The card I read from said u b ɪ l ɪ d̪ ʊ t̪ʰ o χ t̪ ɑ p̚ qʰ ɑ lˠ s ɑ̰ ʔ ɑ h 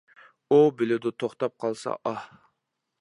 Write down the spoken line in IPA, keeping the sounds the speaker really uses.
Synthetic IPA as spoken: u b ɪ l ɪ d̪ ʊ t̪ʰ o χ t̪ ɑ p̚ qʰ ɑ lˠ s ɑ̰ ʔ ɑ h

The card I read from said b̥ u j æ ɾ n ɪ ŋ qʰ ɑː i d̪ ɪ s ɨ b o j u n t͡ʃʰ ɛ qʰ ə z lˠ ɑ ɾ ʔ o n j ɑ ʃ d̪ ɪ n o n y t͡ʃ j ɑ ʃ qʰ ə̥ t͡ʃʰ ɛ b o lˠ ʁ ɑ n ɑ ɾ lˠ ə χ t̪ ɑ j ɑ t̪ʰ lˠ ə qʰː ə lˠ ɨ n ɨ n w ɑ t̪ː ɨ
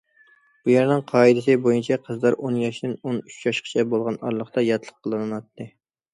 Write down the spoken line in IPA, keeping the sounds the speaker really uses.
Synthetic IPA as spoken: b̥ u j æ ɾ n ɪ ŋ qʰ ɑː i d̪ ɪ s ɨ b o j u n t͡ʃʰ ɛ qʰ ə z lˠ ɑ ɾ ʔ o n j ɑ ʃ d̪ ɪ n o n y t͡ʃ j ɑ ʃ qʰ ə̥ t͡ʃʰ ɛ b o lˠ ʁ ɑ n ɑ ɾ lˠ ə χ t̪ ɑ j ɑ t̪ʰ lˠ ə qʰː ə lˠ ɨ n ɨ n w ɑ t̪ː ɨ

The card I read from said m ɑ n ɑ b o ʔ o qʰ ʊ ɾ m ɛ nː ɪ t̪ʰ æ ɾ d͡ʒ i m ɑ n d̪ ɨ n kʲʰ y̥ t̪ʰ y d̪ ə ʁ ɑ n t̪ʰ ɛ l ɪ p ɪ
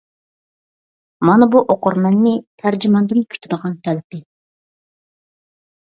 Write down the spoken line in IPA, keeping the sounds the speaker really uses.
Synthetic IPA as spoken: m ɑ n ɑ b u ʔ o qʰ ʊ ɾ m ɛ nː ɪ t̪ʰ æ ɾ d͡ʒ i m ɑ n d̪ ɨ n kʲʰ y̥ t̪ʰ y d̪ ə ʁ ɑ n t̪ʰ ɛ l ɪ p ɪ

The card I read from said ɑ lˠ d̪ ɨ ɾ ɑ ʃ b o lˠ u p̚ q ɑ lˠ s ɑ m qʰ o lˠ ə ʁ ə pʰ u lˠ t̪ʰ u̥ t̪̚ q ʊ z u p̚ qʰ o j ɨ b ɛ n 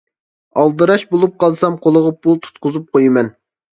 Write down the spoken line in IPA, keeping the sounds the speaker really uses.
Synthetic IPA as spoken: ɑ lˠ d̪ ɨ ɾ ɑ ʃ b o lˠ u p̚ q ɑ lˠ s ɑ m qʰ o lˠ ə ʁ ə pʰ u lˠ t̪ʰ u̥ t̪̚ q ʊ z u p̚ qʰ o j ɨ m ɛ n

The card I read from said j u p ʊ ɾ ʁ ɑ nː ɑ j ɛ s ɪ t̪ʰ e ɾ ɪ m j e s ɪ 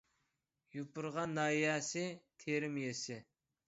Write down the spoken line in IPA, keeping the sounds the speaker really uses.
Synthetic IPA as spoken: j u p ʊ ɾ ʁ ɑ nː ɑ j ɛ s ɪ t̪ʰ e ɾ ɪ m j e s ɪ

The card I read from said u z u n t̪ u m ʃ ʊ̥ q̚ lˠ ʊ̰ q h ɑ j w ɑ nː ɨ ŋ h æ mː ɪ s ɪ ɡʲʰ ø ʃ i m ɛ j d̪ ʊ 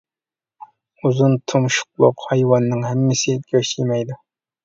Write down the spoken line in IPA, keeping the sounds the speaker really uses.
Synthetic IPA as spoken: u z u n t̪ʰ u m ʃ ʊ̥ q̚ lˠ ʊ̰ q h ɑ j w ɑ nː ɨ ŋ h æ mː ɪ s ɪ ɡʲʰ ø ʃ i m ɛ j d̪ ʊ

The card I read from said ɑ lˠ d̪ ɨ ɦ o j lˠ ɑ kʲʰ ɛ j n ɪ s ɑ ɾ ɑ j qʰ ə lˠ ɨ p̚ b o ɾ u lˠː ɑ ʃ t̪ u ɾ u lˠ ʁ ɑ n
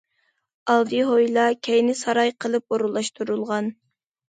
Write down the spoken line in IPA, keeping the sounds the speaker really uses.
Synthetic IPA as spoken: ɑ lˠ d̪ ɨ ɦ o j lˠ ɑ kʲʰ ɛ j n ɪ s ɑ ɾ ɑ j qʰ ə lˠ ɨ p̚ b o ɾ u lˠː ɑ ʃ t̪ u ɾ u lˠ ʁ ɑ n

